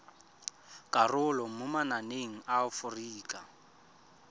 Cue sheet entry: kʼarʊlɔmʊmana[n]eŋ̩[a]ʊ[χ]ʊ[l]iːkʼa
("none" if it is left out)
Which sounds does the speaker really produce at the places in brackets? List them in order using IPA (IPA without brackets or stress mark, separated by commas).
n, a, f, r